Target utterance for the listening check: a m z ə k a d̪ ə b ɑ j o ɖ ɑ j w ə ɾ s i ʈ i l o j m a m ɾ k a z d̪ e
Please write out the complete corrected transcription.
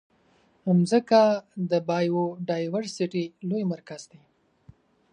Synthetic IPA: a m z ə k a d̪ ə b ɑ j o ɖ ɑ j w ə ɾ s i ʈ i l o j m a ɾ k a z d̪ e

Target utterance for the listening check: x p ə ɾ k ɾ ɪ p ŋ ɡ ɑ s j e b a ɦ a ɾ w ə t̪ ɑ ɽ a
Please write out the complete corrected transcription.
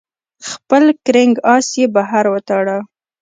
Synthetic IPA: x p ə l k ɾ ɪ ŋ ɡ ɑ s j e b a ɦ a ɾ w ə t̪ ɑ ɽ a

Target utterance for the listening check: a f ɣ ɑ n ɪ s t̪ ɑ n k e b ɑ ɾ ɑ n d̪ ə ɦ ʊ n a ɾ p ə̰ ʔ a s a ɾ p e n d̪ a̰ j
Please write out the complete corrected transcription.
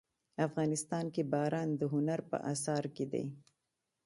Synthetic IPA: a f ɣ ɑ n ɪ s t̪ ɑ n k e b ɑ ɾ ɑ n d̪ ə ɦ ʊ n a ɾ p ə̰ ʔ a s ɑ ɾ k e d̪ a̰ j

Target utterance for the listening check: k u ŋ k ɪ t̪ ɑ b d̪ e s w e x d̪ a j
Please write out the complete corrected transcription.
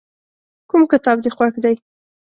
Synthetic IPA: k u m k ɪ t̪ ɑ b d̪ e x w a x d̪ a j

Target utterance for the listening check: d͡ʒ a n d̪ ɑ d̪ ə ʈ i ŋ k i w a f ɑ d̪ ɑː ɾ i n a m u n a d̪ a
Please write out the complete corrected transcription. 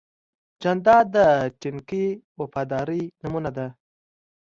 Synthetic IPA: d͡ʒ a n d̪ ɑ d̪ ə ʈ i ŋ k i w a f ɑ d̪ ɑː ɾ i n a m u n a d̪ a

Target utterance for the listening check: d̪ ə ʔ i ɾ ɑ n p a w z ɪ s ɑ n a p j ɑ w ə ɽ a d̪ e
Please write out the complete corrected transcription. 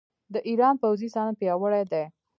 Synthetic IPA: d̪ ə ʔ i ɾ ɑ n p a w z i s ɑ n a p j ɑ w ə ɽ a d̪ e

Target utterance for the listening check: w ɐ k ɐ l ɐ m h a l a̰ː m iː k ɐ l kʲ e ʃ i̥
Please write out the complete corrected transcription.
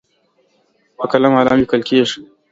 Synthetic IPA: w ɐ k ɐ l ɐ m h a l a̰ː m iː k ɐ l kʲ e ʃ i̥

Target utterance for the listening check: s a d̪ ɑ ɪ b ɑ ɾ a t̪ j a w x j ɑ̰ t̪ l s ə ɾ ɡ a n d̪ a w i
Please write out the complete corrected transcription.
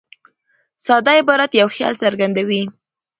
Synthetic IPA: s ɑ d̪ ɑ ɪ b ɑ ɾ a t̪ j a w x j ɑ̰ l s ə ɾ ɡ a n d̪ a w i

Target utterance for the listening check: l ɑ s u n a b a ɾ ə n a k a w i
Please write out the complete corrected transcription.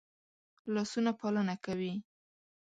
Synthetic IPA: l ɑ s u n a p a l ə n a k a w i

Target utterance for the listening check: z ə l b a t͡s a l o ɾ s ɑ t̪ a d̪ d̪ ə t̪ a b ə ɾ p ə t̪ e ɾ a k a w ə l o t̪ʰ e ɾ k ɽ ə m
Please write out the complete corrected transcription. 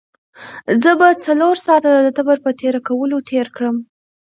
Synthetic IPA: z ə b a t͡s a l o ɾ s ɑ t̪ a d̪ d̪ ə t̪ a b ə ɾ p ə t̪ e ɾ a k a w ə l o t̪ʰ e ɾ k ɽ ə m

